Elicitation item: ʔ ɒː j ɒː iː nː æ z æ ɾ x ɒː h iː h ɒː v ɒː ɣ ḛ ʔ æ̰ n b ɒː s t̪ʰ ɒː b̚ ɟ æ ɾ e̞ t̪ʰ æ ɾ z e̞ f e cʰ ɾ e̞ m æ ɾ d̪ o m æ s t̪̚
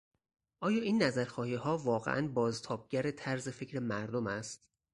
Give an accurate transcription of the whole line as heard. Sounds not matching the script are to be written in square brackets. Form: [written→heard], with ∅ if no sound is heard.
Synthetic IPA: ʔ ɒː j ɒː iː nː æ z æ ɾ x ɒː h iː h ɒː v ɒː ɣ ḛ ʔ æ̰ n b ɒː [s→z] t̪ʰ ɒː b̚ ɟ æ ɾ e̞ t̪ʰ æ ɾ z e̞ f e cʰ ɾ e̞ m æ ɾ d̪ o m æ s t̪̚

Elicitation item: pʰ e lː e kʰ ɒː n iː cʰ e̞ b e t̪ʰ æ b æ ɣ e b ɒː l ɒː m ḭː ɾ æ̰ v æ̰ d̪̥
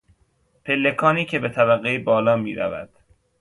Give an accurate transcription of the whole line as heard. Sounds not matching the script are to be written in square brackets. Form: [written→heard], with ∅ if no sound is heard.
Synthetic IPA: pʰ e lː e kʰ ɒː n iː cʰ e̞ b e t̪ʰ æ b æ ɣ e b ɒː l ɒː m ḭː ɾ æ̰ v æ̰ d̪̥

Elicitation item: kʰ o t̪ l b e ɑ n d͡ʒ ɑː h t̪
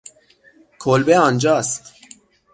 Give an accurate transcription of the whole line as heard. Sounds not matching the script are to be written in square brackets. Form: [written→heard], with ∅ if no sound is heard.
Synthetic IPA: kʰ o [t̪→∅] l b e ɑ n d͡ʒ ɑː [h→s] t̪

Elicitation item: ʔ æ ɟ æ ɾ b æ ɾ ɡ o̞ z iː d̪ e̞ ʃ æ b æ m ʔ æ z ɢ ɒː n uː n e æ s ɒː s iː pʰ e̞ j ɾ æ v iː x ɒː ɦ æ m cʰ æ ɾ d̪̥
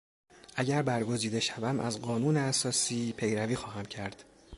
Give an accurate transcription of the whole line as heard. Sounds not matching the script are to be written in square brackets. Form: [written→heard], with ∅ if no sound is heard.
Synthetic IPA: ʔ æ ɟ æ ɾ b æ ɾ ɡ o̞ z iː d̪ e̞ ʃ æ [b→v] æ m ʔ æ z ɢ ɒː n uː n e æ s ɒː s iː pʰ e̞ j ɾ æ v iː x ɒː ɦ æ m cʰ æ ɾ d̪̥

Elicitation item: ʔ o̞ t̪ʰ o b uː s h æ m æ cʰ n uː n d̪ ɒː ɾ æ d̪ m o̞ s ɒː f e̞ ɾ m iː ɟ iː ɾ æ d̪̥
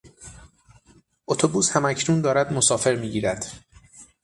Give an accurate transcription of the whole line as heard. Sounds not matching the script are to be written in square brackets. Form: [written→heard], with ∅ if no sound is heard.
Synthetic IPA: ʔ o̞ t̪ʰ o b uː s h æ m æ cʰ n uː n d̪ ɒː ɾ æ d̪ m o̞ s ɒː f e̞ ɾ m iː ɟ iː ɾ æ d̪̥

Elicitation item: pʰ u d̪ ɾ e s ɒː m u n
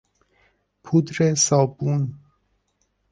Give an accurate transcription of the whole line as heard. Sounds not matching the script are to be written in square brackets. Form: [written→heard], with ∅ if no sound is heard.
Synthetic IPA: pʰ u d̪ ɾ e s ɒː [m→b] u n

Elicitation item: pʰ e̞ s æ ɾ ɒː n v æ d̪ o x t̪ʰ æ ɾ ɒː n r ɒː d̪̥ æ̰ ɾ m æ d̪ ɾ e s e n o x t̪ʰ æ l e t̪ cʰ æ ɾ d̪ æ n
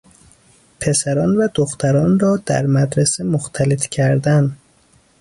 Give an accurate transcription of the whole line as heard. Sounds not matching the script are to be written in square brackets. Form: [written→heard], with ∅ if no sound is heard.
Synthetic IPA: pʰ e̞ s æ ɾ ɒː n v æ d̪ o x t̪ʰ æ ɾ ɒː n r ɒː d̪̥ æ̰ ɾ m æ d̪ ɾ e s e [n→m] o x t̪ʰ æ l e t̪ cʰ æ ɾ d̪ æ n

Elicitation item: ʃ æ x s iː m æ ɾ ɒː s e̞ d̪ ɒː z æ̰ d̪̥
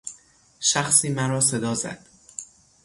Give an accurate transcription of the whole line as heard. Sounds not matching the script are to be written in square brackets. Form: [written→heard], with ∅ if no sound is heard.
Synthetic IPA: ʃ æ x s iː m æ ɾ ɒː s e̞ d̪ ɒː z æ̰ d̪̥

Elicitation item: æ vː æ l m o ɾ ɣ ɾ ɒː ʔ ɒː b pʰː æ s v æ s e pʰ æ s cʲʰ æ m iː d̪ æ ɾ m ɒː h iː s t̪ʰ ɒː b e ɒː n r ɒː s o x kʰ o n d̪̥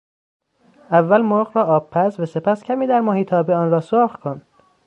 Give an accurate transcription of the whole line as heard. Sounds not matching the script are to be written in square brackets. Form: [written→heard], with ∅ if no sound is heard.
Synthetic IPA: æ vː æ l m o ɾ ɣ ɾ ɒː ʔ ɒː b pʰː æ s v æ s e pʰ æ s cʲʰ æ m iː d̪ æ ɾ m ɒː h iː [s→∅] t̪ʰ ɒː b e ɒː n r ɒː s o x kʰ o n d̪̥

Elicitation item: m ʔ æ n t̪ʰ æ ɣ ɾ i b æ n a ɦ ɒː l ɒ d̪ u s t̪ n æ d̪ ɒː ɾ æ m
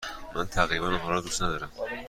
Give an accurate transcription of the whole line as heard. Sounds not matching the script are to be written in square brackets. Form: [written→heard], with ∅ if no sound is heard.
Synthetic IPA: m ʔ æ n t̪ʰ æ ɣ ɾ i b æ n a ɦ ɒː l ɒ d̪ u s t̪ n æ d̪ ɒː ɾ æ m

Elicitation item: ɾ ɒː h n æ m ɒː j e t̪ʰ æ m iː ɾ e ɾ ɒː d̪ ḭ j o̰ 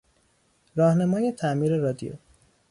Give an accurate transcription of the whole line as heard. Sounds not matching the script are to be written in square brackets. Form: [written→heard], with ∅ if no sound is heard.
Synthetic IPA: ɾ ɒː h n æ m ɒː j e t̪ʰ æ m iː ɾ e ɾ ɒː d̪ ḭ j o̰

